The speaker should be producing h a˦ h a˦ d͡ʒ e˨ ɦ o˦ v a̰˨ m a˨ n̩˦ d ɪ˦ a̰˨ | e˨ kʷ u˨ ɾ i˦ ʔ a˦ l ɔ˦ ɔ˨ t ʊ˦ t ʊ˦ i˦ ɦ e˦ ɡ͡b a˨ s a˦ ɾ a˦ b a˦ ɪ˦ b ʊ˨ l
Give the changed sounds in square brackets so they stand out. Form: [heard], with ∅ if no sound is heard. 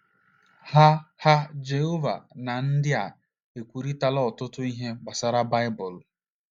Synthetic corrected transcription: h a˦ h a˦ d͡ʒ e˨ ɦ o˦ v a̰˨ [n] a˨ n̩˦ d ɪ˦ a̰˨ | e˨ kʷ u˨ ɾ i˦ [t] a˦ l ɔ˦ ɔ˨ t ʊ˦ t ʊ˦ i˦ ɦ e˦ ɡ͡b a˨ s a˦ ɾ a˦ b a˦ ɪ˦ b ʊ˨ l